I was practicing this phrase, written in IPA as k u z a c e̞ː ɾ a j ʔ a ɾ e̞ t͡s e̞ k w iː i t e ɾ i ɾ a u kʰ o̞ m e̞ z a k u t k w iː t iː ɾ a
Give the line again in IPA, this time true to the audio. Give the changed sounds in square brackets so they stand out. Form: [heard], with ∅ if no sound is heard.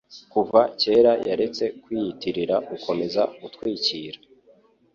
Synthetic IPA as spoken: k u [v] a c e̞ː ɾ a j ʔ a ɾ e̞ t͡s e̞ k w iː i t [i] ɾ i ɾ a u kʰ o̞ m e̞ z a [ɡ] u t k w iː [c] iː ɾ a